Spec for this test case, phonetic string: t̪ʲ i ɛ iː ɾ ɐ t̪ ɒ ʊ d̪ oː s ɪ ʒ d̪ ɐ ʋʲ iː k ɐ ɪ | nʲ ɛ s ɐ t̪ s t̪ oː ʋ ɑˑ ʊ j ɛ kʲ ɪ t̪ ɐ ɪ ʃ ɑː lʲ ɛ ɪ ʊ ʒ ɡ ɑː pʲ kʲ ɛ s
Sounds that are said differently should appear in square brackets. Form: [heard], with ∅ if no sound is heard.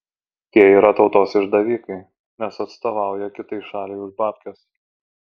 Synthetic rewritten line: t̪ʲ i ɛ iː ɾ ɐ t̪ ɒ ʊ [t̪] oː s ɪ ʒ d̪ ɐ ʋʲ iː k ɐ ɪ | nʲ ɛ s ɐ t̪ s t̪ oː ʋ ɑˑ ʊ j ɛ kʲ ɪ t̪ ɐ ɪ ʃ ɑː lʲ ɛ ɪ ʊ ʒ [b] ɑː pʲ kʲ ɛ s